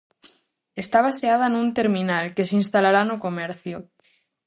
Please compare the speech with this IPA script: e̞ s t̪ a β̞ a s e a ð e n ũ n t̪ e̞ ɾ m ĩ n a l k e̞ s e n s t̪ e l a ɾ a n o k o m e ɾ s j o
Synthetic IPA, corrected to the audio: e̞ s t̪ a β̞ a s e a ð a n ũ n t̪ e̞ ɾ m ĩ n a l k e̞ s i n s t̪ a l a ɾ a n o k o m e ɾ θ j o